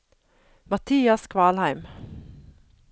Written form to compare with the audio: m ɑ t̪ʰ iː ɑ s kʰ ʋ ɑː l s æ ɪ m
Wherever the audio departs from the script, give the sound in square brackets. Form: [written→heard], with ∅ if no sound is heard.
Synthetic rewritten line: m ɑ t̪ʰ iː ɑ s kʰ ʋ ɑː l [s→h] æ ɪ m